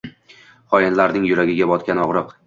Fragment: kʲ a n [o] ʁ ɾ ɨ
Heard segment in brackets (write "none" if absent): ɒ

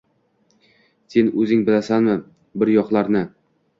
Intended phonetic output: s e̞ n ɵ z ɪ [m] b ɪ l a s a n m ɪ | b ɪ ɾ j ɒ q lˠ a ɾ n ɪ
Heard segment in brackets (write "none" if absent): ŋ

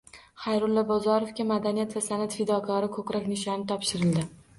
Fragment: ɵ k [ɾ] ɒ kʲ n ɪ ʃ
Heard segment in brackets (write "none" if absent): ɾ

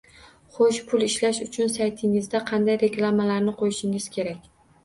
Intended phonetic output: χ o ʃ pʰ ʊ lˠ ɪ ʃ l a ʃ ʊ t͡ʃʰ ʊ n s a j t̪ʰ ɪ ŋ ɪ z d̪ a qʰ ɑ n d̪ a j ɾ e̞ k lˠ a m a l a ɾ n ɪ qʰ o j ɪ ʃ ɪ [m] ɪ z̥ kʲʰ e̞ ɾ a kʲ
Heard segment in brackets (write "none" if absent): ŋ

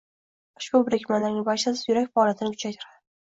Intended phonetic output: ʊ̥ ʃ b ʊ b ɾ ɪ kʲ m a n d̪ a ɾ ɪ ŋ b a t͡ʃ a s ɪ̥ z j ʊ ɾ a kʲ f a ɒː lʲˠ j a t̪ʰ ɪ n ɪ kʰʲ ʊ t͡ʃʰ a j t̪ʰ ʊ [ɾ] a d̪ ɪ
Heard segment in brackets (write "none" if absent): ɾ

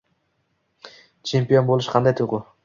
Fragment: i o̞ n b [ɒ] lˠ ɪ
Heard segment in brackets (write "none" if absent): o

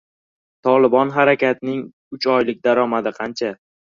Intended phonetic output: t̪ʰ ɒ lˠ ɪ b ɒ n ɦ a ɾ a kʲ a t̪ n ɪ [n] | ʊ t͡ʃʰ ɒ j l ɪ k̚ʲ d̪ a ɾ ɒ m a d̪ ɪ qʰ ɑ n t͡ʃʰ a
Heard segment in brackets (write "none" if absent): ŋ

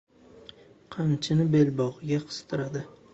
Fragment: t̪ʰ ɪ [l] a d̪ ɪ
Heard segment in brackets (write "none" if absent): ɾ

